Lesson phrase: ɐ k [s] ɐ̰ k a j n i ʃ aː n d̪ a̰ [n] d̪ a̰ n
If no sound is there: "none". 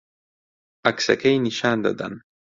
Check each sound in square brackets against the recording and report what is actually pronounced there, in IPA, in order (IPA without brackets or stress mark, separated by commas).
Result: s, none